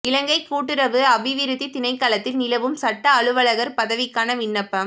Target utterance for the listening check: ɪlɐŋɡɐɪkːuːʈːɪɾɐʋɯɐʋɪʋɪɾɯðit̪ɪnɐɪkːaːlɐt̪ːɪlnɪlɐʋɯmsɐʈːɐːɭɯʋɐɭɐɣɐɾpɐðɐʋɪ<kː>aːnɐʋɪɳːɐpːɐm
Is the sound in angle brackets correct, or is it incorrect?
correct